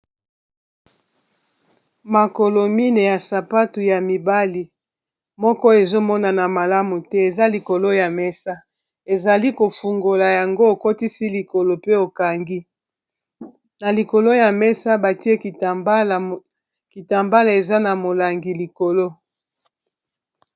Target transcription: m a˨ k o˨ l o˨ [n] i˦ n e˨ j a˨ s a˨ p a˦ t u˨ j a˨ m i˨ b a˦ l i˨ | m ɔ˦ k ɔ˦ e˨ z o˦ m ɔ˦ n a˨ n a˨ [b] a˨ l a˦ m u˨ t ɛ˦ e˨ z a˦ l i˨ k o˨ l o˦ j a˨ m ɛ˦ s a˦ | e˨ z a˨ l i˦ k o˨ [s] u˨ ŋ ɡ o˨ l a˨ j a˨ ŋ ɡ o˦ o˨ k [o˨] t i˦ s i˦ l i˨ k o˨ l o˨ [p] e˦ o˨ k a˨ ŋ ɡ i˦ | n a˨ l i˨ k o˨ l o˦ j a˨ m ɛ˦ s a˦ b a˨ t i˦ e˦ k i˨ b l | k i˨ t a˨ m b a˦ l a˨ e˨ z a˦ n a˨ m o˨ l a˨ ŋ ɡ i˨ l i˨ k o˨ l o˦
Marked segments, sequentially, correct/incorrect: incorrect: m, incorrect: m, incorrect: f, incorrect: o˦, correct

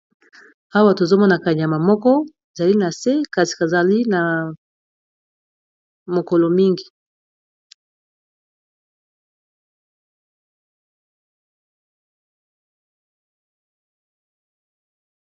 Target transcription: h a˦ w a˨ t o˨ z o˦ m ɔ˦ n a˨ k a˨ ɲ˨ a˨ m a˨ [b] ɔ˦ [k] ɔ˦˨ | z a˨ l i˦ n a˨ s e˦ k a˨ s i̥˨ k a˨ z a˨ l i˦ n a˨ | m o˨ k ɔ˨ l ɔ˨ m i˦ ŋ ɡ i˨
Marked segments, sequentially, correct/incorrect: incorrect: m, correct

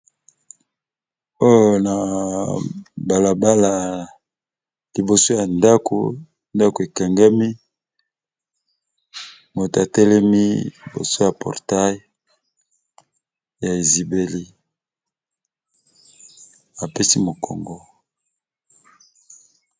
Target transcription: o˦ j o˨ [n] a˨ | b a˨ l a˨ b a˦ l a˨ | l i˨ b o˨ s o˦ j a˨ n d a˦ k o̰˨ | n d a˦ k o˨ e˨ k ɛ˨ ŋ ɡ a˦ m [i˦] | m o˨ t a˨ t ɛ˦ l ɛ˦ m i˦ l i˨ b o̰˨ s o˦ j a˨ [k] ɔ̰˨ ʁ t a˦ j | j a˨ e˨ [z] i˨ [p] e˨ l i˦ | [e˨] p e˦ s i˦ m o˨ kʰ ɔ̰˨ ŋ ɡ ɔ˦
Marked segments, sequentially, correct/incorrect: correct, correct, incorrect: p, correct, incorrect: b, incorrect: a˨

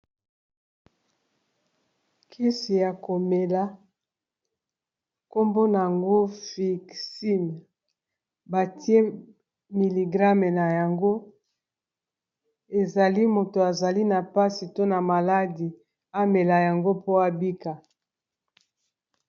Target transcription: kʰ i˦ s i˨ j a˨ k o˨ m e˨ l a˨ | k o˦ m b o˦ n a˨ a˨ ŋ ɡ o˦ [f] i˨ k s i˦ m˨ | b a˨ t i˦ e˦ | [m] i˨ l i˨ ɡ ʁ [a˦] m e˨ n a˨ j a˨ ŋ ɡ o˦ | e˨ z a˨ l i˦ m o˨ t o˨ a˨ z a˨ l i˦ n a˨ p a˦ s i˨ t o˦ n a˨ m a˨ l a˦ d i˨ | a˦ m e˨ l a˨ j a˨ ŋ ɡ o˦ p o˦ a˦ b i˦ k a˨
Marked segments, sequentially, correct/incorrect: correct, correct, correct

